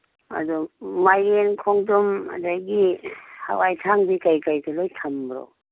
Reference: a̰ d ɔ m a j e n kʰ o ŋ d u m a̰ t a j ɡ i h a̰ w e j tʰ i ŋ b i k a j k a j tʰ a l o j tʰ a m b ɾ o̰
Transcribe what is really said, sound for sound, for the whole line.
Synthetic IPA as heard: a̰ d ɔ m a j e n kʰ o ŋ d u m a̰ d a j ɡ i h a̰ w a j tʰ a ŋ b i k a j k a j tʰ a l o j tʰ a m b ɾ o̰